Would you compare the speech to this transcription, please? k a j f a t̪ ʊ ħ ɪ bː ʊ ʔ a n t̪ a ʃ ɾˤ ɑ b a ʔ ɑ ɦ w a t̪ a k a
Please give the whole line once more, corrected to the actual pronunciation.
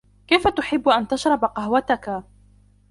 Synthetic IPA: k a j f a t̪ ʊ ħ ɪ bː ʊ ʔ a n t̪ a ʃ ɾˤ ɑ b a q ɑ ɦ w a t̪ a k a